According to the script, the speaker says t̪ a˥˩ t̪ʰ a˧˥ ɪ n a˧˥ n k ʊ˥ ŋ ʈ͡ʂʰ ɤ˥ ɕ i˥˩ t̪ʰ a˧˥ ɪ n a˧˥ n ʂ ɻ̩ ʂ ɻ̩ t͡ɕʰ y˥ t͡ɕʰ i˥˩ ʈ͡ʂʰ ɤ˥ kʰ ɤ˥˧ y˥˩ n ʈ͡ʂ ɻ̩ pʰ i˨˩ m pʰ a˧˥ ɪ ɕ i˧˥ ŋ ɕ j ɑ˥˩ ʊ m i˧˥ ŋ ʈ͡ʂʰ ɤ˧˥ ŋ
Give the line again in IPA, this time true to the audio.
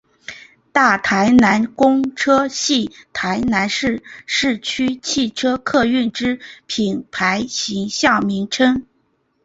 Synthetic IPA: t̪ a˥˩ t̪ʰ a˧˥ ɪ n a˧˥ n k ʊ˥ ŋ ʈ͡ʂʰ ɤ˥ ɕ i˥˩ t̪ʰ a˧˥ ɪ n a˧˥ n ʂ ɻ̩ ʂ ɻ̩ t͡ɕʰ y˥ t͡ɕʰ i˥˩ ʈ͡ʂʰ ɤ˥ kʰ ɤ˥˧ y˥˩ n ʈ͡ʂ ɻ̩ pʰ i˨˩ n pʰ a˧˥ ɪ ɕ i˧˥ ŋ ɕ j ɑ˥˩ ʊ m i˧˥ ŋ ʈ͡ʂʰ ɤ˥ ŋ